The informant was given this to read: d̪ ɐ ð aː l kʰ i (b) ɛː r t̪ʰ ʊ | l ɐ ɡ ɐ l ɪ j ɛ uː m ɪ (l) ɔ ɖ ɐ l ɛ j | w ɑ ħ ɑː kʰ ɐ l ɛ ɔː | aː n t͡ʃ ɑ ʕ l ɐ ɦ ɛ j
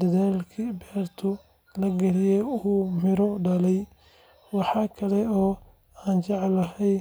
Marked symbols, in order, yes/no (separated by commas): yes, no